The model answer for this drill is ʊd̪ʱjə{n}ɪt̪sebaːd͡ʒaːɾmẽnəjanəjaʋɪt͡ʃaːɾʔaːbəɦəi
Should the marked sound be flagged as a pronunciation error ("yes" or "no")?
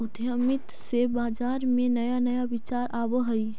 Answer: yes